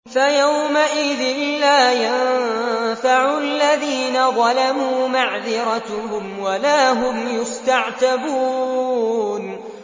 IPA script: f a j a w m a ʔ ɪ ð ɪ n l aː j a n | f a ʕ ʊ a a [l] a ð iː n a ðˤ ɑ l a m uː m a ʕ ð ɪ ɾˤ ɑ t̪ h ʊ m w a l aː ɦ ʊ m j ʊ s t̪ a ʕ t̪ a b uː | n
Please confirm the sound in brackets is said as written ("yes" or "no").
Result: no